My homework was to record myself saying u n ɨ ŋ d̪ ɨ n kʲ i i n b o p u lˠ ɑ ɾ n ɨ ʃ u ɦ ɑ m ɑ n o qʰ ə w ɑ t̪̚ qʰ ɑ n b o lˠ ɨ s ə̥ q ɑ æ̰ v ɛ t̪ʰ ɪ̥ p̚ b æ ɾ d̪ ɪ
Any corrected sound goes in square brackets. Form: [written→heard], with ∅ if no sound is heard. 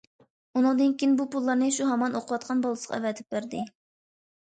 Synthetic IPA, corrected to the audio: u n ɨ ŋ d̪ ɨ n kʲ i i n b [o→u] p u [lˠ→lˠː] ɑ ɾ n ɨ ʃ u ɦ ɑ m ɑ n o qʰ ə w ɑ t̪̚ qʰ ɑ n b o lˠ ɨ s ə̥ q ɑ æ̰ v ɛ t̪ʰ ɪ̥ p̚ b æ ɾ d̪ ɪ